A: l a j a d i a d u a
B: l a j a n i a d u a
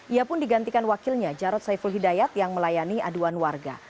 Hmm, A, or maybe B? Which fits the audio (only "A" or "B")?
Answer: B